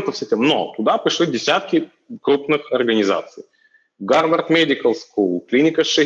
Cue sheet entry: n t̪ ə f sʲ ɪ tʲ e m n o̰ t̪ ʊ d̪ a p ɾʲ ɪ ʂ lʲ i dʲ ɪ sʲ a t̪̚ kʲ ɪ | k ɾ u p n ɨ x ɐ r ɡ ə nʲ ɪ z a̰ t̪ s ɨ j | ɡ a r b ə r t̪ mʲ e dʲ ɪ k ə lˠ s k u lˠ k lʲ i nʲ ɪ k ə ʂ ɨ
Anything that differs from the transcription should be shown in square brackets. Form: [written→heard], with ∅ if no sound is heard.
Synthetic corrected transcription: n t̪ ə f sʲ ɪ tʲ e m n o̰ t̪ ʊ d̪ a p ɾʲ ɪ ʂ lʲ i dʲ ɪ sʲ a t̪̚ kʲ ɪ | k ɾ u p n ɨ x ɐ r ɡ ə nʲ ɪ z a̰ t̪ s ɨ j | ɡ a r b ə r t̪ mʲ e dʲ ɪ k ə lˠ s k u lˠ k lʲ i nʲ ɪ k ə ʂ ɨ